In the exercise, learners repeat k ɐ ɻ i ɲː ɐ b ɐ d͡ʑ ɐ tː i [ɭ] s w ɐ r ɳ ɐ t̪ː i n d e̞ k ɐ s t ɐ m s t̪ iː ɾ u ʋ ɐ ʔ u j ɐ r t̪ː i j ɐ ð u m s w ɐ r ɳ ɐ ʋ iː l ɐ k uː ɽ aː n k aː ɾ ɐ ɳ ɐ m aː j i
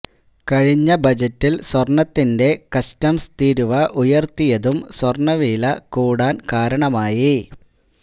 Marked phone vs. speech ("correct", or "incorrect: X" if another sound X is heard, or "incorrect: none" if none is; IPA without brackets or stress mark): incorrect: l